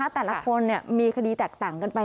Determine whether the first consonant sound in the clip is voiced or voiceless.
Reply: voiceless